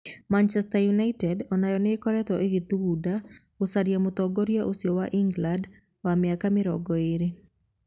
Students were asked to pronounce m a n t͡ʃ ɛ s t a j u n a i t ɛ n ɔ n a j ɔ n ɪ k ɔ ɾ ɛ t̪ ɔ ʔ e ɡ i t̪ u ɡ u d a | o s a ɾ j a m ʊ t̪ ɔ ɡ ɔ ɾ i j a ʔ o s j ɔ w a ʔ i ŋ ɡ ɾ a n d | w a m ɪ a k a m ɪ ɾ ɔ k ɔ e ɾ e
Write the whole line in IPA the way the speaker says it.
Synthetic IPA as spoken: m a n t͡ʃ ɛ s t a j u n a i t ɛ d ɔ n a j ɔ n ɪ k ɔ ɾ ɛ t̪ ɔ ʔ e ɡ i t̪ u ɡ u d a | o s a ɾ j a m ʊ t̪ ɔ ɡ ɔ ɾ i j a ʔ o s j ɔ w a ʔ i ŋ ɡ l a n d | w a m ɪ a k a m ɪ ɾ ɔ ɡ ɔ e ɾ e